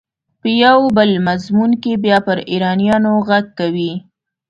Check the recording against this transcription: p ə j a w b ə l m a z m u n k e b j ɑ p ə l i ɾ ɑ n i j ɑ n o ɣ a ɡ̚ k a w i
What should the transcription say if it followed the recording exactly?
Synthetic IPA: p ə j a w b ə l m a z m u n k e b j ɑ p ə ɾ i ɾ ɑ n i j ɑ n o ɣ a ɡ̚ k a w i